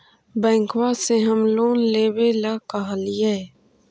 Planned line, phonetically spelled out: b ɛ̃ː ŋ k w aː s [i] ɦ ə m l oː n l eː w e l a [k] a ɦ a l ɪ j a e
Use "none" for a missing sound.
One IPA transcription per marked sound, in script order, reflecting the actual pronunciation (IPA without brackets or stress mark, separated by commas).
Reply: e, k